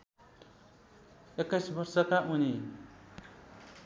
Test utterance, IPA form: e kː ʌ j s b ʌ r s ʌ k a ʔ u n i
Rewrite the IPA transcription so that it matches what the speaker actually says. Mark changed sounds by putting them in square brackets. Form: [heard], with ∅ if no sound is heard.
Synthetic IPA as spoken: e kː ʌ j s b ʌ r s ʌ k a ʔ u n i

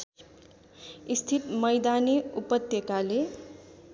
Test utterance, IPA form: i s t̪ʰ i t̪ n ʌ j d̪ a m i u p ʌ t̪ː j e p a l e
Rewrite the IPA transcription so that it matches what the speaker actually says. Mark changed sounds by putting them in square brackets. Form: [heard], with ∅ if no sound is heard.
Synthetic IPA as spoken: i s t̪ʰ i t̪ [m] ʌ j d̪ a [n] i u p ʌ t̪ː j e [k] a l e

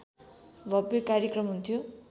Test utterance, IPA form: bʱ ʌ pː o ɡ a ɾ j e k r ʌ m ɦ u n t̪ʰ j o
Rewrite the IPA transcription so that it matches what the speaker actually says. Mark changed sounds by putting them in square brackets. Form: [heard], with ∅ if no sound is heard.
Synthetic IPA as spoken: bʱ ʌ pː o [k] a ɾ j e k r ʌ m ɦ u n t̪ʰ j o

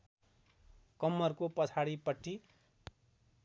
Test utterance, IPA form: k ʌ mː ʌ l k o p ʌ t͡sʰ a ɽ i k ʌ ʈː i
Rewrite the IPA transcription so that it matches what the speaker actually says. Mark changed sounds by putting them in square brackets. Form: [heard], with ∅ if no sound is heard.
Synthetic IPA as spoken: k ʌ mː ʌ [r] k o p ʌ t͡sʰ a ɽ i [p] ʌ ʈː i

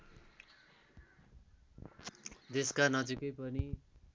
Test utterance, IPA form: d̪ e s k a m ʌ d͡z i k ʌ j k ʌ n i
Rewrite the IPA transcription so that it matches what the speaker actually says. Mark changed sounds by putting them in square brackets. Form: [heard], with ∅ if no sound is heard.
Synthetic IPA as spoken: d̪ e s k a [n] ʌ d͡z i k ʌ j [p] ʌ n i

